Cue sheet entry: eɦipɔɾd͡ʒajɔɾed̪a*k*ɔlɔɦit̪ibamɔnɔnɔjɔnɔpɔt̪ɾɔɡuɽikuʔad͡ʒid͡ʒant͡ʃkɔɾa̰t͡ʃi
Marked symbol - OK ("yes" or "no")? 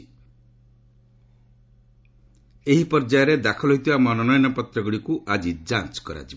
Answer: no